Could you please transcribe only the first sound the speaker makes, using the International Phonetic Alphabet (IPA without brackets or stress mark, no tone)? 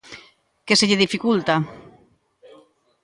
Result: k